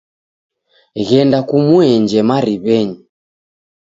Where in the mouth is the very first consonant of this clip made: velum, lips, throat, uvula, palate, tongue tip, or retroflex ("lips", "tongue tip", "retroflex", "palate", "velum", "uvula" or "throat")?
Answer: velum